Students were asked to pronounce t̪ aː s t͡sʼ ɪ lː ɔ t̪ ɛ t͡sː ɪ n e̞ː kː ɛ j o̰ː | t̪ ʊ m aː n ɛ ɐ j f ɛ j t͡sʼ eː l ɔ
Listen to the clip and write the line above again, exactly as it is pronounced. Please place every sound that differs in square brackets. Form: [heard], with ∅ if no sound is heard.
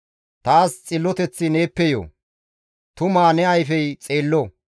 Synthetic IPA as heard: t̪ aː s t͡sʼ ɪ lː ɔ t̪ ɛ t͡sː ɪ n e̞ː [pː] ɛ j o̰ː | t̪ ʊ m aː n ɛ ɐ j f ɛ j t͡sʼ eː [lː] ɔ

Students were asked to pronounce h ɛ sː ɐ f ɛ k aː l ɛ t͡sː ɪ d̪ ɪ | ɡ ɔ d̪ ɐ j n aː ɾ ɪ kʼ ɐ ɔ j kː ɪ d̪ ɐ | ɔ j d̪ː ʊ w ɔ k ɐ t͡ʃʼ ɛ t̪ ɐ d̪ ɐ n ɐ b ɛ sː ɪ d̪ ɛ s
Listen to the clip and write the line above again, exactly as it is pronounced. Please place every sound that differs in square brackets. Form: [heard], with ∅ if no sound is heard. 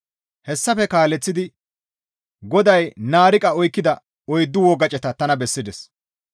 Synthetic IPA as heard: h ɛ sː ɐ f ɛ k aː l ɛ t͡sː ɪ d̪ ɪ | ɡ ɔ d̪ ɐ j n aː ɾ ɪ kʼ ɐ ɔ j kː ɪ d̪ ɐ | ɔ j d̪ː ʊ w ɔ [ɡ] ɐ t͡ʃʼ ɛ t̪ ɐ [t̪] ɐ n ɐ b ɛ sː ɪ d̪ ɛ s

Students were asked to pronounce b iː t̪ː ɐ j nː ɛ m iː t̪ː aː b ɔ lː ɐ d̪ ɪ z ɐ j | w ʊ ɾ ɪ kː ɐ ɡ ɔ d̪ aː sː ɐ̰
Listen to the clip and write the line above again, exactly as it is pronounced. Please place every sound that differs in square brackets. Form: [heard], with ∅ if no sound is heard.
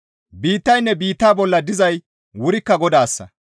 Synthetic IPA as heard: b iː t̪ː ɐ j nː ɛ [b] iː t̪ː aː b ɔ lː ɐ d̪ ɪ z ɐ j | w ʊ ɾ ɪ kː ɐ ɡ ɔ d̪ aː sː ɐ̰

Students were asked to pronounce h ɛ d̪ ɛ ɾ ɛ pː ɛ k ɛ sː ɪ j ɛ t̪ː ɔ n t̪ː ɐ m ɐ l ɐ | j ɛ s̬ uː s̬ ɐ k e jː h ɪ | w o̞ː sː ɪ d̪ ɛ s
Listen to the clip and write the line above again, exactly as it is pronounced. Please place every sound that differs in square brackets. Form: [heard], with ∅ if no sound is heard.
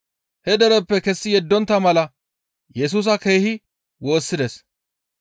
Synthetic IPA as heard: h ɛ d̪ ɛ ɾ ɛ pː ɛ k ɛ sː ɪ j ɛ [d̪ː] ɔ n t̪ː ɐ m ɐ l ɐ | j ɛ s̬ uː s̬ ɐ k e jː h ɪ | w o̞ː sː ɪ d̪ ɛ s

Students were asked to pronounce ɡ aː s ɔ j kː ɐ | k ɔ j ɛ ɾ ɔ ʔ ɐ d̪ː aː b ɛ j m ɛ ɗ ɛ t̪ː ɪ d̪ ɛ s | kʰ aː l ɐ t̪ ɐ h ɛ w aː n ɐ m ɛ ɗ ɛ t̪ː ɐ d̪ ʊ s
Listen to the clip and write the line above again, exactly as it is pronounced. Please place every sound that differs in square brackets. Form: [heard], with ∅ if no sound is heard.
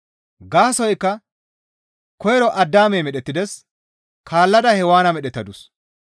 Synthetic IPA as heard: ɡ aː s ɔ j kː ɐ | k ɔ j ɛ ɾ ɔ ʔ ɐ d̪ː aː [m] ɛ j m ɛ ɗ ɛ t̪ː ɪ d̪ ɛ s | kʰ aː [lː] ɐ [d̪] ɐ h ɛ w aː n ɐ m ɛ ɗ ɛ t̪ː ɐ d̪ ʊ s

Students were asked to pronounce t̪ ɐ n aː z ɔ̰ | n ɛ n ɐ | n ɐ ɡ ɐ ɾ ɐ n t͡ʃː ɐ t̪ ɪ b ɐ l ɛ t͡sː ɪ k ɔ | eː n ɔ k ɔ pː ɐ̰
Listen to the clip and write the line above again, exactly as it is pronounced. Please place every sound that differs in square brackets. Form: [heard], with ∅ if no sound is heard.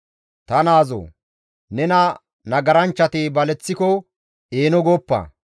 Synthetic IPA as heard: t̪ ɐ n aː z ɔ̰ | n ɛ n ɐ | n ɐ ɡ ɐ ɾ ɐ n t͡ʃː ɐ t̪ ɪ b ɐ l ɛ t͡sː ɪ k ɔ | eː n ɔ [ɡ] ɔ pː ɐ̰

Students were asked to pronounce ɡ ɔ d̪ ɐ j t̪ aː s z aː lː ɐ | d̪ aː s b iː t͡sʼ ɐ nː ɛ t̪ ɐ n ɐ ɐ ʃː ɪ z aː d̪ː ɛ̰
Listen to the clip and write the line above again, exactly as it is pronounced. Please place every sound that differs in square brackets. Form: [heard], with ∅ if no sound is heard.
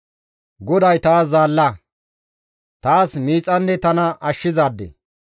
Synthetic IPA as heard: ɡ ɔ d̪ ɐ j t̪ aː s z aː lː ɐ | [t̪] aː s [m] iː t͡sʼ ɐ nː ɛ t̪ ɐ n ɐ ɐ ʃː ɪ z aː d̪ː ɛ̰

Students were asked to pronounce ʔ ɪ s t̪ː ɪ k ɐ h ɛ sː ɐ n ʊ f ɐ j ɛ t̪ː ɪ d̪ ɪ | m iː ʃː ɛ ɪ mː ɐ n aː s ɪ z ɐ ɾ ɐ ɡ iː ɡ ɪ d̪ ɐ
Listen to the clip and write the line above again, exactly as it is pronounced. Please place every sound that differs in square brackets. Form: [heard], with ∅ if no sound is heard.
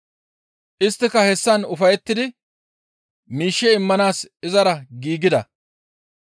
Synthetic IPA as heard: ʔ ɪ s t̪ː ɪ k ɐ h ɛ sː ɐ n ʊ f ɐ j ɛ t̪ː ɪ d̪ ɪ | m iː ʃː ɛ ɪ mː ɐ n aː s ɪ z ɐ ɾ ɐ ɡ iː ɡ ɪ d̪ ɐ

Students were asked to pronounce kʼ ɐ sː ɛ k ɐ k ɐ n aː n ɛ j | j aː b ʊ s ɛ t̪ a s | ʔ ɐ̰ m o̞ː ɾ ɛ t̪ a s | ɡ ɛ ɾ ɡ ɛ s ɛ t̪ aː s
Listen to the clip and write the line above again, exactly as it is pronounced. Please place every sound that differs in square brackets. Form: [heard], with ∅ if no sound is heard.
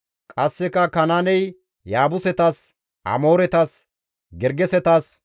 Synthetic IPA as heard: kʼ ɐ sː ɛ k ɐ k ɐ n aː n ɛ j | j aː b ʊ s ɛ t̪ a s | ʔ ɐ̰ m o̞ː ɾ ɛ t̪ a s | ɡ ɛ ɾ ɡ ɛ s ɛ t̪ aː s

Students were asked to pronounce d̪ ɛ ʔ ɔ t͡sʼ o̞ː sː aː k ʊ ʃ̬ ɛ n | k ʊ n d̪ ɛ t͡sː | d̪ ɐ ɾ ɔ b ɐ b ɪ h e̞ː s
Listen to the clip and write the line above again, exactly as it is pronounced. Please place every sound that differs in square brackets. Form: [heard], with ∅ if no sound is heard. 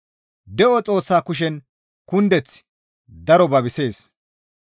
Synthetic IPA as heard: d̪ ɛ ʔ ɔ t͡sʼ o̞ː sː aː k ʊ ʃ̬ ɛ n | k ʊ n d̪ ɛ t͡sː | d̪ ɐ ɾ ɔ b ɐ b ɪ [s] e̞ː s

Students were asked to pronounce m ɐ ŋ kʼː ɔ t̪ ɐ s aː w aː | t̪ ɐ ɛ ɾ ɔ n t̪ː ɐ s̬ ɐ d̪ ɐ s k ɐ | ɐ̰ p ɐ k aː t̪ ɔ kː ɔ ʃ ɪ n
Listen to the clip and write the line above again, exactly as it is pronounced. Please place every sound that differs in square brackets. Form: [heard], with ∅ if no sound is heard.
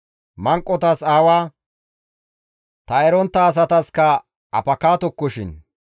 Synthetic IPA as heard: m ɐ ŋ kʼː ɔ t̪ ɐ s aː w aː | t̪ ɐ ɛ ɾ ɔ n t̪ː [ɐː] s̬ ɐ [t̪] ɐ s k ɐ | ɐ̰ p ɐ k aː t̪ ɔ kː ɔ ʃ ɪ n

